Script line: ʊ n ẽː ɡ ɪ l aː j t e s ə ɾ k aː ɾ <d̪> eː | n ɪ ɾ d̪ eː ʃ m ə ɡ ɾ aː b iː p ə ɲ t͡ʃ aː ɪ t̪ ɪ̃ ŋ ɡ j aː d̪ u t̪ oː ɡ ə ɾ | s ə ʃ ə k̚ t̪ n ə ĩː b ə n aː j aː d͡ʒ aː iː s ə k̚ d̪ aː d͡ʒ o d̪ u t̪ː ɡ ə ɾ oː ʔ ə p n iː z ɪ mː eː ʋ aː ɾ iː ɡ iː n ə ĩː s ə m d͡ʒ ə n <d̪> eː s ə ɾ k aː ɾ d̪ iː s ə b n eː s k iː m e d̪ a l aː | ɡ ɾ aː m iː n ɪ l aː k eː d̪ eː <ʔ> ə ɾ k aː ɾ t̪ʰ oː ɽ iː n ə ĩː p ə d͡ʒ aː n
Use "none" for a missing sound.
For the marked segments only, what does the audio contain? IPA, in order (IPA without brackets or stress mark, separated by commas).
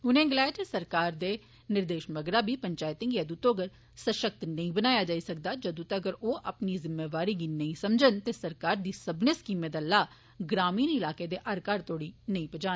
d̪, t̪, ʔ